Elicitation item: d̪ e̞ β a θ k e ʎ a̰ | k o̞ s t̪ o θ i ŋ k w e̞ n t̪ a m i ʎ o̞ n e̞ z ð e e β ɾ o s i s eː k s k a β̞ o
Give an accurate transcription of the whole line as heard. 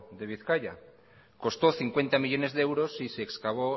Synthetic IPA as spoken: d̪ e̞ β i θ k a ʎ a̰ | k o̞ s t̪ o θ i ŋ k w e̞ n t̪ a m i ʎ o̞ n e̞ z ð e e w ɾ o s i s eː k s k a β̞ o